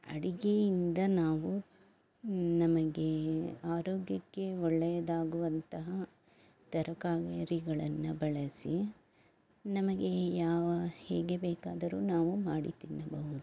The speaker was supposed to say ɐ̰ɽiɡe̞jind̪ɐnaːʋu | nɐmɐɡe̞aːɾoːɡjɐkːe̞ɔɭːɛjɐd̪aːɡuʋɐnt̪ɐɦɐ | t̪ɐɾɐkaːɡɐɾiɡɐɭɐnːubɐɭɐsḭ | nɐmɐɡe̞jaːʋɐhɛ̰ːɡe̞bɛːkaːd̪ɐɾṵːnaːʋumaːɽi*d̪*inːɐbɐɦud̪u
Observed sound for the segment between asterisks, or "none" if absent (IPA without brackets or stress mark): t̪